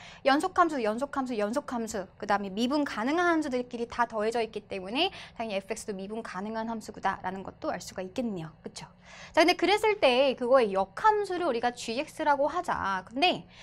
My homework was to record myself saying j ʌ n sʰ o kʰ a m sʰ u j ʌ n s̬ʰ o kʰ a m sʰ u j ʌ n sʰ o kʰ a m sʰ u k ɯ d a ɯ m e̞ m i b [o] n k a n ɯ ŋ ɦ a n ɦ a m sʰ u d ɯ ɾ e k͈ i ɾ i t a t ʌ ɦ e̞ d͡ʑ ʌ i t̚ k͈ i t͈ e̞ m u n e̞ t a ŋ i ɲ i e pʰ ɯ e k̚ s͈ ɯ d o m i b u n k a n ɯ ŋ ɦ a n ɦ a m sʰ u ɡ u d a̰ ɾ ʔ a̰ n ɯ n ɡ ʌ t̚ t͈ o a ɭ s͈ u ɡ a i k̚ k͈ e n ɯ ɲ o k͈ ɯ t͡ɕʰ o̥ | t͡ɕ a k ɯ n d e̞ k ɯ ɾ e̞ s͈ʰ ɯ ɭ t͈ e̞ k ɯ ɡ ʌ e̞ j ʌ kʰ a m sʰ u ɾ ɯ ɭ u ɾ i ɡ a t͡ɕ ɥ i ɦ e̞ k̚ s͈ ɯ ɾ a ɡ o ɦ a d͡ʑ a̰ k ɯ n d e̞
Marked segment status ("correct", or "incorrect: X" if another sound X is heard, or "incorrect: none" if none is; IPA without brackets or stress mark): incorrect: u